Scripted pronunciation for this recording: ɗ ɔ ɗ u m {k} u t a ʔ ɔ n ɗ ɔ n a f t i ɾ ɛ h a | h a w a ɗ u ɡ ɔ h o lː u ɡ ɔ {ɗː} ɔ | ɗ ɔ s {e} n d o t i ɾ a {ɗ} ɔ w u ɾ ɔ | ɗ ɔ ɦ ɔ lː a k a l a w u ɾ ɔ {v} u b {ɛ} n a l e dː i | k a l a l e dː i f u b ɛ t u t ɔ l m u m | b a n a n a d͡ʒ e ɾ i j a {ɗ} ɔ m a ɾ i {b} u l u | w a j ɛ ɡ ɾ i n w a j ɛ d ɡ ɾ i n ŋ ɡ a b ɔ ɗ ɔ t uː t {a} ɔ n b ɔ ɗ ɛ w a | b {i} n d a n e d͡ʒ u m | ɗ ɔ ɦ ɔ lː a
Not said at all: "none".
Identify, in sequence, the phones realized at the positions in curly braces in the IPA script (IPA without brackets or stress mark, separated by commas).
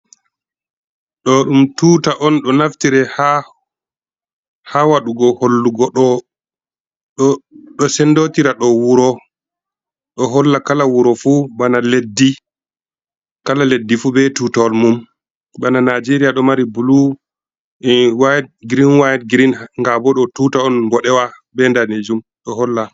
t, ɗ, ɛ, ɗ, f, a, ɗ, b, a, ɛ